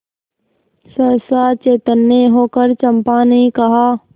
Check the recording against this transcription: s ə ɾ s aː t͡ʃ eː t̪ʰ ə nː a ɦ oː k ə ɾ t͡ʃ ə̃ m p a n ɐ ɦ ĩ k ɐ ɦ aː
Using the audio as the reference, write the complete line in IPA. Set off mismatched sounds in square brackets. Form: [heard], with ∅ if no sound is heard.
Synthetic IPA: s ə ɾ s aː t͡ʃ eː [t̪] ə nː [e] ɦ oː k ə ɾ t͡ʃ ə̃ m p a n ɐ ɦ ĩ k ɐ ɦ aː

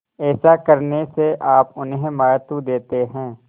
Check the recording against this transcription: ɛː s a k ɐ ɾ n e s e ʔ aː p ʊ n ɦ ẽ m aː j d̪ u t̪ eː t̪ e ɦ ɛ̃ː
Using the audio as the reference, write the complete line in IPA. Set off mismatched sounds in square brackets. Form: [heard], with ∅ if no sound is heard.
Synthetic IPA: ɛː s a k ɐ ɾ n e s e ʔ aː p ʊ n ɦ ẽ m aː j [t̪] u [d̪] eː t̪ e ɦ ɛ̃ː

